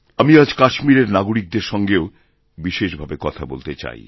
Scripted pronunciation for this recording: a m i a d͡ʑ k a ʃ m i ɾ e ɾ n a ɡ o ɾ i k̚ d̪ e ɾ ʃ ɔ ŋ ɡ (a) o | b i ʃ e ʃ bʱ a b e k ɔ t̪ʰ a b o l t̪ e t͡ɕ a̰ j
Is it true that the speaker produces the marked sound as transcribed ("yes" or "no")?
no